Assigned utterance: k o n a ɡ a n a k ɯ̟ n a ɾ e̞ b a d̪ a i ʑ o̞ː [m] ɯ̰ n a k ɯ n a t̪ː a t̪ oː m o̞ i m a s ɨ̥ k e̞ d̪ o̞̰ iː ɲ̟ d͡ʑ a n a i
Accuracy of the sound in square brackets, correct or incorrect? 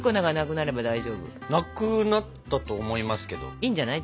incorrect